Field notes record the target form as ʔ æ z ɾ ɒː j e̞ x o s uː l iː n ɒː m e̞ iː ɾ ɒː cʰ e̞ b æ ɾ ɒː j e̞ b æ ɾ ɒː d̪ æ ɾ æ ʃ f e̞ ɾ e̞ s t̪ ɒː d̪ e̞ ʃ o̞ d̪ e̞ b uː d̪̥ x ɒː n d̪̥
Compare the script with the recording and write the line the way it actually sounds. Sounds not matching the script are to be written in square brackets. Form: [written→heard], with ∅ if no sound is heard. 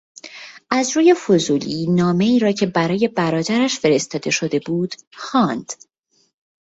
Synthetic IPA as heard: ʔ æ z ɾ [ɒː→uː] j e̞ [x→f] o [s→z] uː l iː n ɒː m e̞ iː ɾ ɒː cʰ e̞ b æ ɾ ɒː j e̞ b æ ɾ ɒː d̪ æ ɾ æ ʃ f e̞ ɾ e̞ s t̪ ɒː d̪ e̞ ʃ o̞ d̪ e̞ b uː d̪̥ x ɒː n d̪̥